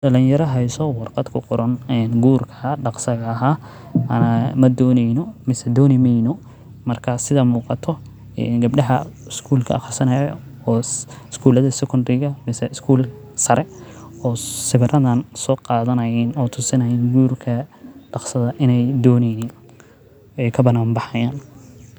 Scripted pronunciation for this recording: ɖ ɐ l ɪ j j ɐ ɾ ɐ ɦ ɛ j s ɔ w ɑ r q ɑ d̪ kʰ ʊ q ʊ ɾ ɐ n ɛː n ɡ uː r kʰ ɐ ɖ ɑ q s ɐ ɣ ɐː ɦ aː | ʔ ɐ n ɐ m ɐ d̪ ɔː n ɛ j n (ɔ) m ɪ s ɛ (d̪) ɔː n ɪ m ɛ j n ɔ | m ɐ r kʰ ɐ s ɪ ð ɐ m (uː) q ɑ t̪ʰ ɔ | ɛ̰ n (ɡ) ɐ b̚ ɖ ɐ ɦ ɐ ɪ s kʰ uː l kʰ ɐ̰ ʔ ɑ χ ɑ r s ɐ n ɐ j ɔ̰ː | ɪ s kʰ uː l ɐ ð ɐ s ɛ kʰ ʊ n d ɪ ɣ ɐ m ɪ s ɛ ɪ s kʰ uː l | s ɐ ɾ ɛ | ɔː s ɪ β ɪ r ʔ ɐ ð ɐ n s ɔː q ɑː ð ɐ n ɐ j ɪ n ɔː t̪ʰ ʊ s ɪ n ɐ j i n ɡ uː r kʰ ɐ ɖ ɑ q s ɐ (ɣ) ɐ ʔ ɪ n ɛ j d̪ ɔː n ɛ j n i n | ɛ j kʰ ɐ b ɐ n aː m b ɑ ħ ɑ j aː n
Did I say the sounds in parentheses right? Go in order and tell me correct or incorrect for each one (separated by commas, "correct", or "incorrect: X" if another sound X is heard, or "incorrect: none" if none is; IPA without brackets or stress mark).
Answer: correct, correct, correct, correct, incorrect: ð